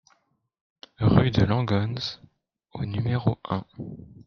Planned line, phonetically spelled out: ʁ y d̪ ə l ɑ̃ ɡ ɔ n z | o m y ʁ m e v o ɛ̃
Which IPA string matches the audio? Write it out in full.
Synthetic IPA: ʁ y d̪ ə l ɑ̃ ɡ ɔ n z | o n y m e ʁ o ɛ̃